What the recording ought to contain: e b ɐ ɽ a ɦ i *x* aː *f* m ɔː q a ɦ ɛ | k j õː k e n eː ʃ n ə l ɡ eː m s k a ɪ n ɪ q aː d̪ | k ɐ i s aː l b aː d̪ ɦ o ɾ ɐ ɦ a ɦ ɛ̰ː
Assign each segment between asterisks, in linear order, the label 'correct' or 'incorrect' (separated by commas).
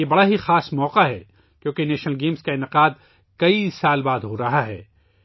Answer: correct, incorrect